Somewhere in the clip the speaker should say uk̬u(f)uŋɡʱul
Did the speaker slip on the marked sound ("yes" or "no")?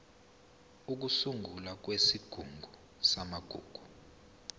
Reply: yes